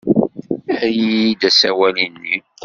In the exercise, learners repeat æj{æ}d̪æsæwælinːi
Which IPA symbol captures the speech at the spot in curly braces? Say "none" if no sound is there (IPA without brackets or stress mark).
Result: i